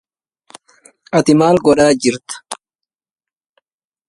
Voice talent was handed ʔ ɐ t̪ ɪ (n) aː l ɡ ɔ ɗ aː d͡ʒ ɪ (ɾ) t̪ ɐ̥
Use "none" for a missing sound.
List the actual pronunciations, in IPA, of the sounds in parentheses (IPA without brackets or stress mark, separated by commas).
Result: m, ɾ